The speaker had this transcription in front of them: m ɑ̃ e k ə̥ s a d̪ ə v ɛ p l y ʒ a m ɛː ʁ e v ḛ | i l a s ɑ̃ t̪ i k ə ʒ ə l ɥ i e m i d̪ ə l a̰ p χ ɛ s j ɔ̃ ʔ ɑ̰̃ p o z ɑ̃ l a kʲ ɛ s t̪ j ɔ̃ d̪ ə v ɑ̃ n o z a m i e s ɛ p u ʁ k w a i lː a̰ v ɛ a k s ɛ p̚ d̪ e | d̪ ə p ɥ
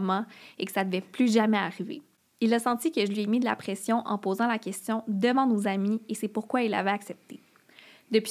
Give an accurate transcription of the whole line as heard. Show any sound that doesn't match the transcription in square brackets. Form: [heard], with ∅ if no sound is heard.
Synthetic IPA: m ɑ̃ e k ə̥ s a d̪ ə v ɛ p l y ʒ a m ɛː ʁ [i] v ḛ | i l a s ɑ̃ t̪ i k ə ʒ ə l ɥ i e m i d̪ ə l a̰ p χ ɛ s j ɔ̃ ʔ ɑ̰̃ p o z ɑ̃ l a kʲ ɛ s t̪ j ɔ̃ d̪ ə v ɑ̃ n o z a m i e s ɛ p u ʁ k w a i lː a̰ v ɛ a k s ɛ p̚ [t̪] e | d̪ ə p ɥ